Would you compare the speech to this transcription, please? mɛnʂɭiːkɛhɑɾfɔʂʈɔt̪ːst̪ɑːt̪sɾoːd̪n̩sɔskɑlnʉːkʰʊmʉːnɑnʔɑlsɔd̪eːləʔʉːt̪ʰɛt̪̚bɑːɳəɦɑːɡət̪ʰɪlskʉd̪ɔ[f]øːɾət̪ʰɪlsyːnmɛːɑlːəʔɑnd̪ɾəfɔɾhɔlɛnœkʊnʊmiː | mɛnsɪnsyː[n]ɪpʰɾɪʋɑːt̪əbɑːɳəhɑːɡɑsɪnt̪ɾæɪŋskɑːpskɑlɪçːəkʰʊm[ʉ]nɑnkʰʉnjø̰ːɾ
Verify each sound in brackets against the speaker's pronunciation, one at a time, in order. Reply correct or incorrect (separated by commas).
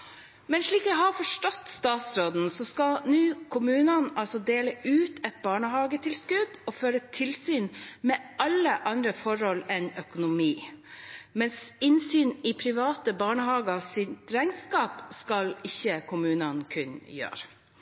correct, correct, incorrect